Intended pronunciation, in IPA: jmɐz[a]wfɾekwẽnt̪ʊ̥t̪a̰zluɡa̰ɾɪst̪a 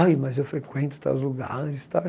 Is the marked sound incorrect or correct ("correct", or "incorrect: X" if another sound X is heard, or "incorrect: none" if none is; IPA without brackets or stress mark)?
incorrect: e